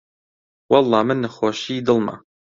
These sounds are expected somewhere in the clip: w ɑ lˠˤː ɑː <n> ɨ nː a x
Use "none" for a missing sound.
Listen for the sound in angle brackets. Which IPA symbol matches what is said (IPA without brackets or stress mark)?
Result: m